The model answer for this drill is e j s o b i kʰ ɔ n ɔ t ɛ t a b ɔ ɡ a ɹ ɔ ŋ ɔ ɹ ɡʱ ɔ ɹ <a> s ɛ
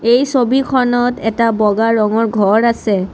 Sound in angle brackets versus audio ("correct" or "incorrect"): correct